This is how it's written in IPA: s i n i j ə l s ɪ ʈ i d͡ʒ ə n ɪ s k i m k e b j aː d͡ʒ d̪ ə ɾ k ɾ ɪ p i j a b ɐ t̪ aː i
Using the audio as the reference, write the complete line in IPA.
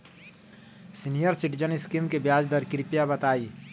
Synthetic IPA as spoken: s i n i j ə ɾ s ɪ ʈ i d͡ʒ ə n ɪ s k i m k e b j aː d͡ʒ d̪ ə ɾ k ɾ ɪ p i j a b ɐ t̪ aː i